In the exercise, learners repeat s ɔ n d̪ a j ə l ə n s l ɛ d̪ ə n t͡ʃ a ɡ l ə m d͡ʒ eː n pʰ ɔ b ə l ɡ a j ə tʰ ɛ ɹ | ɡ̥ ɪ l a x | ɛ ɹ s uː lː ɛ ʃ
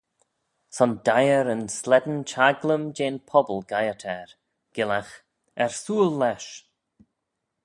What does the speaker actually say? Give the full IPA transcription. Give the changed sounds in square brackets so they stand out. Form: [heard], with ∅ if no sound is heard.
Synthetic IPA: s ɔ n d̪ a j ə [ɾ] ə n s l ɛ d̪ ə n t͡ʃ a ɡ l ə m d͡ʒ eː n pʰ ɔ b ə l ɡ a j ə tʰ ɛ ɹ | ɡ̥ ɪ l a x | ɛ ɹ s uː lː ɛ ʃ